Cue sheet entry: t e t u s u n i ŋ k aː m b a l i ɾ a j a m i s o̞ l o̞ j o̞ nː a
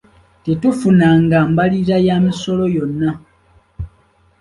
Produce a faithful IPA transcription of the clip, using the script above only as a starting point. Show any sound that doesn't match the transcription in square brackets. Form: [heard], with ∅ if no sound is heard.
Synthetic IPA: t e t u [f] u n [a] ŋ [ɡ] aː m b a l i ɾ a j a m i s o̞ l o̞ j o̞ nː a